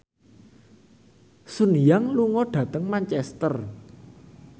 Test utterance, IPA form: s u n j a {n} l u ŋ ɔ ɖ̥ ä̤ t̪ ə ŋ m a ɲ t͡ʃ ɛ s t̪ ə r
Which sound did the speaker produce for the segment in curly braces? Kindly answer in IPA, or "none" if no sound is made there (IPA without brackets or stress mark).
ŋ